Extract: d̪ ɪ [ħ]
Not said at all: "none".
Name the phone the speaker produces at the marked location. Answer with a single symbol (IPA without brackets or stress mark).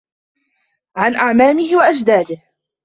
h